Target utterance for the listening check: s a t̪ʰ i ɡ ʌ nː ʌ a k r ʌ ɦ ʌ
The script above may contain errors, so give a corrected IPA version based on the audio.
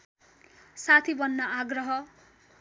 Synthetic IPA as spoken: s a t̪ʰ i b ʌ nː ʌ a ɡ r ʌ ɦ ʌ